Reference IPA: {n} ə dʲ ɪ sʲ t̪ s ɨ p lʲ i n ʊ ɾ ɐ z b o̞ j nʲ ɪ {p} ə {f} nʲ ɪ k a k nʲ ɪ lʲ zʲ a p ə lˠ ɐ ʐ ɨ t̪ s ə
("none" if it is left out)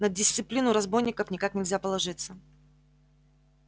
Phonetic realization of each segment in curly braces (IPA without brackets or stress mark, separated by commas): n, k, f